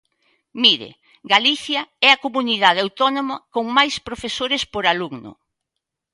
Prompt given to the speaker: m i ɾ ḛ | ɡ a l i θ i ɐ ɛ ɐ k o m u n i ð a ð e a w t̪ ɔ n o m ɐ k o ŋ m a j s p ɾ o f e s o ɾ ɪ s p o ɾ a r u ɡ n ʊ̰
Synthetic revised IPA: m i ɾ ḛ | ɡ a l i θ j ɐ ɛ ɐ k o m u n i ð a ð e a w t̪ ɔ n o m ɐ k o ŋ m a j s p ɾ o f e s o ɾ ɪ s p o ɾ a l u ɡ n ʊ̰